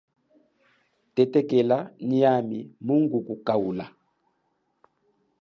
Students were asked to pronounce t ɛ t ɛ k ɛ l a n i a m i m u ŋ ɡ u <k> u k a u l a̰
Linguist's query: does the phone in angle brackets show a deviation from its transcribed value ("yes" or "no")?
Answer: no